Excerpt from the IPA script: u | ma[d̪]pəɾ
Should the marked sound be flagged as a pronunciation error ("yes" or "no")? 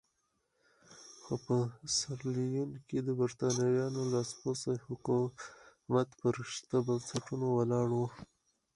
yes